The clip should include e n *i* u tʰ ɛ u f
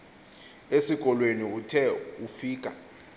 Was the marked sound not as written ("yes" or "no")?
no